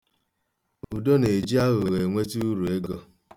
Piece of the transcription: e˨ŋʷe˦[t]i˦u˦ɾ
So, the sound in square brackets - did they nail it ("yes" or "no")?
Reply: yes